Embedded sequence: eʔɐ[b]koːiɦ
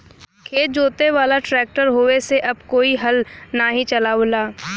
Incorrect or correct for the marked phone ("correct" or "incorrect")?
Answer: correct